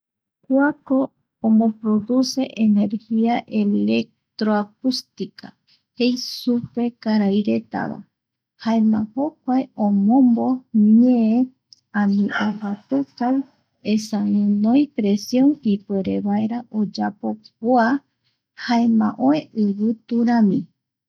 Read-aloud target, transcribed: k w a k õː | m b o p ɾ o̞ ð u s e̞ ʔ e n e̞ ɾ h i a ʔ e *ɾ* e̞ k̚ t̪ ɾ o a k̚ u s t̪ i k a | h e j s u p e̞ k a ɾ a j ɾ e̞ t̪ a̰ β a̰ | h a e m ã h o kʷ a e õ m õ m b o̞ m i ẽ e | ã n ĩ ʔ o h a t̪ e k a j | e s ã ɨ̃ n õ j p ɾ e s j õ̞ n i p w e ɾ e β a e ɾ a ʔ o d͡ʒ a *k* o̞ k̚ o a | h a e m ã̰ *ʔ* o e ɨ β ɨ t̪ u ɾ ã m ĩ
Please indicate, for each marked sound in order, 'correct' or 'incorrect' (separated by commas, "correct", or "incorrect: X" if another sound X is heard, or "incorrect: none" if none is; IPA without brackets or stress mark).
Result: incorrect: l, incorrect: p, correct